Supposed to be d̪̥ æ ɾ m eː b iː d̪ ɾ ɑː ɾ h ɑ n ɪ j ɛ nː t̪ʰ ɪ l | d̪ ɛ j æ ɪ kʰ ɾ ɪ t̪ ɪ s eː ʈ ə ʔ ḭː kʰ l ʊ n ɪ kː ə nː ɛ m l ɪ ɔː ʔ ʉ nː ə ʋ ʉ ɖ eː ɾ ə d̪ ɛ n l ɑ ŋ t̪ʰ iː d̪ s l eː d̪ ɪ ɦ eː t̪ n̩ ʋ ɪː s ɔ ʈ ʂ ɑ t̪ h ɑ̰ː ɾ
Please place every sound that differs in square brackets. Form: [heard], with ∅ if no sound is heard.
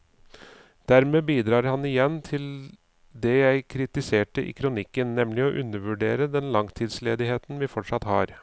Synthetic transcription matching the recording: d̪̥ æ ɾ m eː b iː d̪ ɾ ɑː ɾ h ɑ n ɪ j ɛ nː t̪ʰ ɪ l | d̪ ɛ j æ ɪ kʰ ɾ ɪ t̪ ɪ s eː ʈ ə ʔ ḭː kʰ [ɾ] ʊ n ɪ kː ə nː ɛ m l ɪ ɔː ʔ ʉ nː ə ʋ ʉ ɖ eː ɾ ə d̪ ɛ n l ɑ ŋ t̪ʰ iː d̪ s l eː d̪ ɪ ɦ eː t̪ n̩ ʋ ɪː [f] ɔ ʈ ʂ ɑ t̪ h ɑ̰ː ɾ